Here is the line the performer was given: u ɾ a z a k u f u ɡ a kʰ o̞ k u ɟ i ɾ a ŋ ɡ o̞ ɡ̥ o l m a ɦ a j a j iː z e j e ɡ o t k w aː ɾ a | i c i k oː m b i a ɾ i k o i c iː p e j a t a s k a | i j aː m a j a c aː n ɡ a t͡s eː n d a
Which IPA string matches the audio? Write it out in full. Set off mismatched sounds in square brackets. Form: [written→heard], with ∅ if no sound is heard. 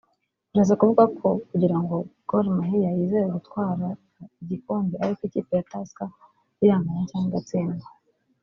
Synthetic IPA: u ɾ a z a k u [f→v] u ɡ a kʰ o̞ k u ɟ i ɾ a ŋ ɡ o̞ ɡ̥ o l m a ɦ [a→i] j a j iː z e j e ɡ [o→u] t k w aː ɾ a | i [c→ɟ] i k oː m b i a ɾ i k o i c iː p e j a t a s k a | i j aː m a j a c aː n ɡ a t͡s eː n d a

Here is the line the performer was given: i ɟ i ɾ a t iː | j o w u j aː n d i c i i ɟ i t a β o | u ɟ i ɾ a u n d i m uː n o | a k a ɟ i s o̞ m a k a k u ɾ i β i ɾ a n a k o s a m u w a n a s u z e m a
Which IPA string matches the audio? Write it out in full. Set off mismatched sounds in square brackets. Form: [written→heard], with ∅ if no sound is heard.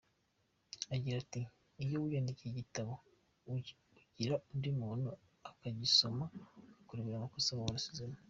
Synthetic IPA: [i→a] ɟ i ɾ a t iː | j o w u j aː n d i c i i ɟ i t a β o | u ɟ i ɾ a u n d i m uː n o | a k a ɟ i s o̞ m a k a k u ɾ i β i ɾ a [n→m] a k o s a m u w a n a s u z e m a

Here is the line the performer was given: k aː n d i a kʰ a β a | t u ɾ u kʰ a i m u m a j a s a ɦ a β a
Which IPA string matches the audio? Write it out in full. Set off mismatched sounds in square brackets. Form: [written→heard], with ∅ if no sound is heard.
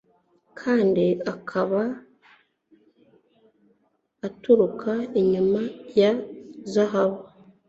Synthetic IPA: [k→kʰ] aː n d i a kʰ a β a | t u ɾ u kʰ a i [m→ɲ] u m a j a [s→z] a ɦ a β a

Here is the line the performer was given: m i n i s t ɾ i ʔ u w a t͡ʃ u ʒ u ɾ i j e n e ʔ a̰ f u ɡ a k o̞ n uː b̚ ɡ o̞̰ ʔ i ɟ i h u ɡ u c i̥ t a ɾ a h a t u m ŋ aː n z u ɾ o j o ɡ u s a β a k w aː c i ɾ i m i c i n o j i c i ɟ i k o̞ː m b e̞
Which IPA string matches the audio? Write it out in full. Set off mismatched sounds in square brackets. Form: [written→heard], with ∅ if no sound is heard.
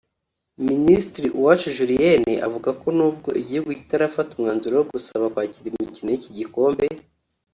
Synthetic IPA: m i n i s t ɾ i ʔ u w a t͡ʃ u ʒ u ɾ i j e n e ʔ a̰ [f→v] u ɡ a k o̞ n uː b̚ ɡ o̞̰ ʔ i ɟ i h u ɡ u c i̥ t a ɾ a [h→f] a t u m ŋ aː n z u ɾ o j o ɡ u s a β a k w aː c i ɾ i m i c i n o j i c i ɟ i k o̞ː m b e̞

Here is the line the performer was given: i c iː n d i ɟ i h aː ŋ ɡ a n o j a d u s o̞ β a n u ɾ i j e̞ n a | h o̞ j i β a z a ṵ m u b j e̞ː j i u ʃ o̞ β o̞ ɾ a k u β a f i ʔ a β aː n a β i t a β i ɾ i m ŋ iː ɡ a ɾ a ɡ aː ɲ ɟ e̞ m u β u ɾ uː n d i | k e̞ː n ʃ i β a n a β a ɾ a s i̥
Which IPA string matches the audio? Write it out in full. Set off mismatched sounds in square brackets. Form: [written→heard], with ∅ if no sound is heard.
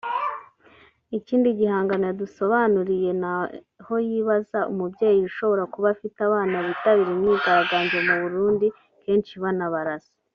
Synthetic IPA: i c iː n d i ɟ i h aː ŋ ɡ a n o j a d u s o̞ β a n u ɾ i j e̞ n a | h o̞ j i β a z a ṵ m u b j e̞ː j i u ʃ o̞ β o̞ ɾ a k u β a f i [ʔ→t] a β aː n a β i t a β i ɾ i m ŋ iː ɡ a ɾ a ɡ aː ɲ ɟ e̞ m u β u ɾ uː n d i | k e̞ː n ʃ i β a n a β a ɾ a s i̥

